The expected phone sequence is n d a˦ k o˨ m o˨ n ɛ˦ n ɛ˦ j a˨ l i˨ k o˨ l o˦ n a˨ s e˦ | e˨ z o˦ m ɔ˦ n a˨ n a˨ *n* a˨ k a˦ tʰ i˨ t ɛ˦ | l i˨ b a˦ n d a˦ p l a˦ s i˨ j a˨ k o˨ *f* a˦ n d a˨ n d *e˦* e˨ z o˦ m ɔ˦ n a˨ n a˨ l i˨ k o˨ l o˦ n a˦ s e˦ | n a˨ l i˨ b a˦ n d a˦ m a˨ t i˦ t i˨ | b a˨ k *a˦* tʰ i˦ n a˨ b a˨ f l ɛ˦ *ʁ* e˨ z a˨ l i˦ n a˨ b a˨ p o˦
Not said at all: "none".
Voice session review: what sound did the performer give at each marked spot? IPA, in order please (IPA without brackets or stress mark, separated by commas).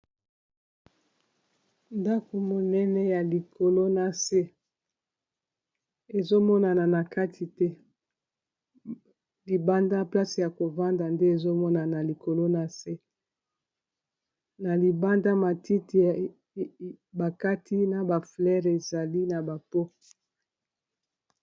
n, v, e˦, a˦, ʁ